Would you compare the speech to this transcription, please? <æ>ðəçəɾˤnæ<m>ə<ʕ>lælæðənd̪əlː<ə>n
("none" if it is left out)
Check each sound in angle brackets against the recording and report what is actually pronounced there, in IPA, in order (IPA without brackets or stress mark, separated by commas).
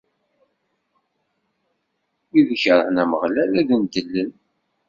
i, m, ʁ, ə